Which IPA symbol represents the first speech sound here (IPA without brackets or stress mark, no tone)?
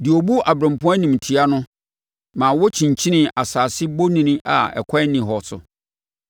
d